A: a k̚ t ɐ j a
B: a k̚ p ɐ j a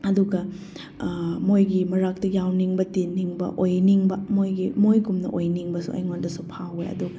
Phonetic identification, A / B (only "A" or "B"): A